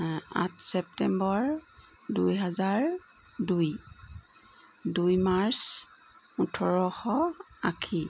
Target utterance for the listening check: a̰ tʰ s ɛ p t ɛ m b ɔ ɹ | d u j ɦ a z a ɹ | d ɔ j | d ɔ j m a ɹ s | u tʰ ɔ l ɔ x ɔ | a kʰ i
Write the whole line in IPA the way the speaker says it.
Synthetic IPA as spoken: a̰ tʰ s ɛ p t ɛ m b ɔ ɹ | d u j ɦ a z a ɹ | d u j | d u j m a ɹ s | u tʰ ɔ ɹ ɔ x ɔ | a kʰ i